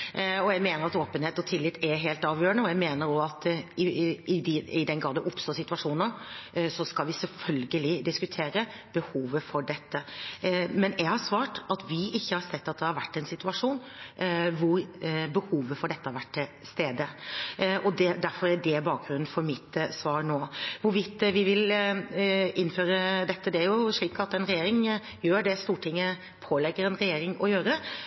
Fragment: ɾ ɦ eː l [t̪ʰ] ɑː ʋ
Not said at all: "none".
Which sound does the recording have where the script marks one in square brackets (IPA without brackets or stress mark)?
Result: t̪